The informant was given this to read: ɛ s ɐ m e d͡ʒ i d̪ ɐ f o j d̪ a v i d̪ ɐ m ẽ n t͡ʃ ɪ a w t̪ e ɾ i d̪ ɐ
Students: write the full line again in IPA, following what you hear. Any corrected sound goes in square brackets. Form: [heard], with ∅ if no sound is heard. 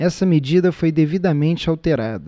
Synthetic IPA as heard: ɛ s ɐ m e d͡ʒ i d̪ ɐ f o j d̪ [e] v i d̪ ɐ m ẽ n t͡ʃ ɪ a w t̪ e ɾ [a] d̪ ɐ